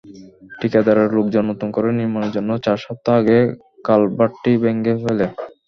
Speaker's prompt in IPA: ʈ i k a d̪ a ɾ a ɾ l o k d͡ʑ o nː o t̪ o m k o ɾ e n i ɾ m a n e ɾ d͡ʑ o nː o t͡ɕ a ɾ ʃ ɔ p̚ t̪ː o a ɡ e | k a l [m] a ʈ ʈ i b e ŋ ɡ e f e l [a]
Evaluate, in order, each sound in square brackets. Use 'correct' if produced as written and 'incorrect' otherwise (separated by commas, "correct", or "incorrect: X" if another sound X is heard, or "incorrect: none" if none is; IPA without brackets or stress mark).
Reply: incorrect: b, incorrect: e